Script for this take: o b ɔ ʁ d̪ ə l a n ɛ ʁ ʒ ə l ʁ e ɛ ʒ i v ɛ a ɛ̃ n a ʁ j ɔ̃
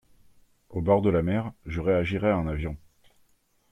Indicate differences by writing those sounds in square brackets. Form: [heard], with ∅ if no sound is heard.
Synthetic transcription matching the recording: o b ɔ ʁ d̪ ə l a [m] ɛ ʁ ʒ ə [∅] ʁ e [a] ʒ i [ʁ] ɛ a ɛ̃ n a [v] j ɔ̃

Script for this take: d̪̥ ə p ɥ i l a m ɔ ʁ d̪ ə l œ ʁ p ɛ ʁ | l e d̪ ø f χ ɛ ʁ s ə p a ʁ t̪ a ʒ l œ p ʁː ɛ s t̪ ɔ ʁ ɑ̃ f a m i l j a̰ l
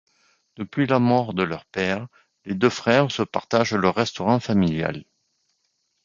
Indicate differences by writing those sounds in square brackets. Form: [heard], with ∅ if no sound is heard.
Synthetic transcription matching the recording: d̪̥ ə p ɥ i l a m ɔ ʁ d̪ ə l œ ʁ p ɛ ʁ | l e d̪ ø f χ ɛ ʁ s ə p a ʁ t̪ a ʒ l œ [∅] ʁː ɛ s t̪ ɔ ʁ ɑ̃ f a m i l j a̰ l

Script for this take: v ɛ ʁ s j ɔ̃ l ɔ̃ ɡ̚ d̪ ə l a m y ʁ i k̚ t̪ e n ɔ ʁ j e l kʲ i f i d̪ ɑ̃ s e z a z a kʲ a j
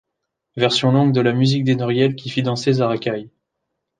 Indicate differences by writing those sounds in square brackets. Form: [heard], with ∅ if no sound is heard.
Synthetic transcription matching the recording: v ɛ ʁ s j ɔ̃ l ɔ̃ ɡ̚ d̪ ə l a m y [z] i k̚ [d̪] e n ɔ ʁ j [ɛ] l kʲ i f i d̪ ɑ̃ s e z a [ʁ] a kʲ a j

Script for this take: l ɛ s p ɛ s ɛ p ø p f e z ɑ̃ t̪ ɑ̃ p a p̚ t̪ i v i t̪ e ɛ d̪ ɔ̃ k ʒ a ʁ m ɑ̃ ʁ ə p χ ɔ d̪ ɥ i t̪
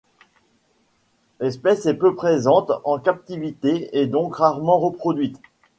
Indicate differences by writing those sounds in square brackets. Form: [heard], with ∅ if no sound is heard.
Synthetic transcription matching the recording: l ɛ s p ɛ s ɛ p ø p [χ] e z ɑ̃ t̪ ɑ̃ [k] a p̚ t̪ i v i t̪ e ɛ d̪ ɔ̃ k [ʁ] a ʁ m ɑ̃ ʁ ə p χ ɔ d̪ ɥ i t̪

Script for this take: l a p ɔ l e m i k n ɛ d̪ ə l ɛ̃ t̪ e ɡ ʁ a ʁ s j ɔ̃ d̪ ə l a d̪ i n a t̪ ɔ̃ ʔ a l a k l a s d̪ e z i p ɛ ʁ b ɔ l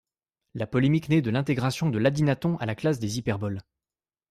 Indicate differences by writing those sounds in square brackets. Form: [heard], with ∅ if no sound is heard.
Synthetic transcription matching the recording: l a p ɔ l e m i k n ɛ d̪ ə l ɛ̃ t̪ e ɡ ʁ a [∅] s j ɔ̃ d̪ ə l a d̪ i n a t̪ ɔ̃ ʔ a l a k l a s d̪ e z i p ɛ ʁ b ɔ l

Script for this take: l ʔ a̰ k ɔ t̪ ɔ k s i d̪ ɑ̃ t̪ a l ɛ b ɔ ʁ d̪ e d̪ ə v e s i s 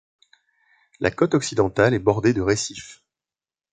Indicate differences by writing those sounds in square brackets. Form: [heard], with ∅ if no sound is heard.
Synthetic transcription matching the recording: l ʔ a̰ k ɔ t̪ ɔ k s i d̪ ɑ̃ t̪ a l ɛ b ɔ ʁ d̪ e d̪ ə [ʁ] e s i [f]

